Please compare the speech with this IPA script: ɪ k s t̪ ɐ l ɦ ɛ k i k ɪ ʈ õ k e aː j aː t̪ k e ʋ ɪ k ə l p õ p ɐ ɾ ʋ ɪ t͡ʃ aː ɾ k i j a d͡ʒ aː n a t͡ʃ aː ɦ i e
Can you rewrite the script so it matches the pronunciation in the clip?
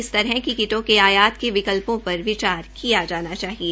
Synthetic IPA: ɪ s t̪ ɐ ɾ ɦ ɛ k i k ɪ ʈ õ k e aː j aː t̪ k e ʋ ɪ k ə l p õ p ɐ ɾ ʋ ɪ t͡ʃ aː ɾ k i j a d͡ʒ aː n a t͡ʃ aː ɦ i e